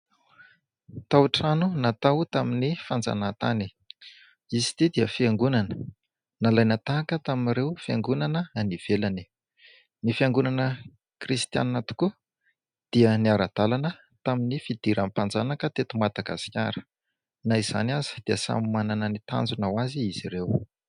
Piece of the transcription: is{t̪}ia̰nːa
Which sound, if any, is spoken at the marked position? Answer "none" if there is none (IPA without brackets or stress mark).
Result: t̪